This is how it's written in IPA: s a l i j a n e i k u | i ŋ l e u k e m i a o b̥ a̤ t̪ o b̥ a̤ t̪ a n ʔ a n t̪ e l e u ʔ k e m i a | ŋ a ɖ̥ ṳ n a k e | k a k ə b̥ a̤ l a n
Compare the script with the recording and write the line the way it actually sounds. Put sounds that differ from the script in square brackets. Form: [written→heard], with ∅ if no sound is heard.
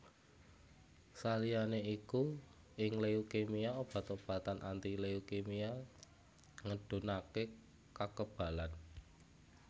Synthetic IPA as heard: s a l i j a n e i k u | [i→ɪ] ŋ l e u k e m i a o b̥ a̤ t̪ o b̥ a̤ t̪ a n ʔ a n t̪ [e→i] l e u [ʔ→∅] k e m i a | ŋ [a→ə] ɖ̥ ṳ n a k e | k a k ə b̥ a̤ l a n